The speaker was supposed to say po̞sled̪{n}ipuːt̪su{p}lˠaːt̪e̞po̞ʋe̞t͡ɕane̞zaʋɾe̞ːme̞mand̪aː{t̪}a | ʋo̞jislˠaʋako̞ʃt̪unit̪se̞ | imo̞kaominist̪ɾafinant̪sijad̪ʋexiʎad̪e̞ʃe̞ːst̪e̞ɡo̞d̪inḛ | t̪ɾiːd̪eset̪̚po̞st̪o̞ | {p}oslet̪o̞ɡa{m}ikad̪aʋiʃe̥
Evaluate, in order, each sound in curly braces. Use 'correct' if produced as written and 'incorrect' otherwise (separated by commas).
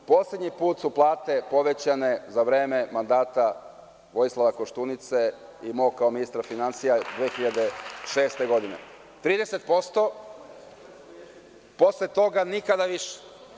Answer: incorrect, correct, correct, correct, incorrect